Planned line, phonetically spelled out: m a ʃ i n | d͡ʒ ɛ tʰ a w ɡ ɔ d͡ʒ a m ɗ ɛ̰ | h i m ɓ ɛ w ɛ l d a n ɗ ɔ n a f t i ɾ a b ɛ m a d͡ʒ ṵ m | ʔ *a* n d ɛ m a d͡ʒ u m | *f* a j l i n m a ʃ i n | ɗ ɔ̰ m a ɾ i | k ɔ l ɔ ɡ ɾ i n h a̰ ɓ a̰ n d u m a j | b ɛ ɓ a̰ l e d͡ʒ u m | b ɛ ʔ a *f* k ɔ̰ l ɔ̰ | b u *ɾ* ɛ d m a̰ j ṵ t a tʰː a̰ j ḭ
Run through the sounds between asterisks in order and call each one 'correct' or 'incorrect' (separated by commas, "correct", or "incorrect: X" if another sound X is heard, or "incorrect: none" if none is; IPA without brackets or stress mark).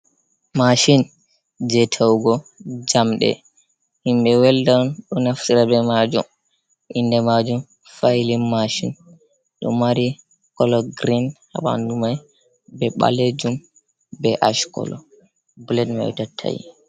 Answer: incorrect: i, correct, incorrect: ʃ, incorrect: l